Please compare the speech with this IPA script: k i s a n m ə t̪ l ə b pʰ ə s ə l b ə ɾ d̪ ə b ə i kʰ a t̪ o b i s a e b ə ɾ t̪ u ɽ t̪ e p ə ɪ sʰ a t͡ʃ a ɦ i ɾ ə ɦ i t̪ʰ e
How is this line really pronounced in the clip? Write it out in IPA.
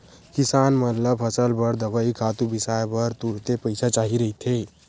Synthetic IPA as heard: k i s a n m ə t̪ l ə b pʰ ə s ə l b ə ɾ d̪ ə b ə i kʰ a t̪ u b i s a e b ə ɾ t̪ u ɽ t̪ e p ə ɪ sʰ a t͡ʃ a ɦ i ɾ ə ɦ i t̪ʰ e